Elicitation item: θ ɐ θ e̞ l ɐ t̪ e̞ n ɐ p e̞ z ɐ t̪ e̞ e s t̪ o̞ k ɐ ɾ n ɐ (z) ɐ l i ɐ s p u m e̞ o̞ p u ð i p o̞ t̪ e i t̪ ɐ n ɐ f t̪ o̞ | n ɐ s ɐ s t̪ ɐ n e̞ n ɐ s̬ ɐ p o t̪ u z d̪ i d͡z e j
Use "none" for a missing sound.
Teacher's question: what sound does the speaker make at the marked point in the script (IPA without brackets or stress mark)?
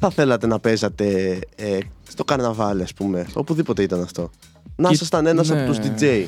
v